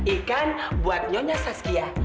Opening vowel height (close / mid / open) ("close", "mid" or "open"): close